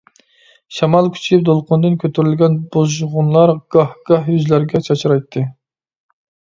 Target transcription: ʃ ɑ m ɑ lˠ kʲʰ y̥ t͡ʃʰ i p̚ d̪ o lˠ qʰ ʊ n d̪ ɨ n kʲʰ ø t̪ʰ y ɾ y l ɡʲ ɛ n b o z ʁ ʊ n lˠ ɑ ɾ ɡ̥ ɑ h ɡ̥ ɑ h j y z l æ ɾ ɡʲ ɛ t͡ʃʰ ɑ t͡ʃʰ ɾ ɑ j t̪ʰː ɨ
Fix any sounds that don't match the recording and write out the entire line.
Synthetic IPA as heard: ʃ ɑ m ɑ lˠ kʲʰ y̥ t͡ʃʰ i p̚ d̪ o lˠ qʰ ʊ n d̪ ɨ n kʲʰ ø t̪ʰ y ɾ y l ɡʲ ɛ n b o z ʁ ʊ n lˠ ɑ ɾ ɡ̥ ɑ h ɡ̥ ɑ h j y z l æ ɾ ɡʲ ɛ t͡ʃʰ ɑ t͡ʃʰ ɾ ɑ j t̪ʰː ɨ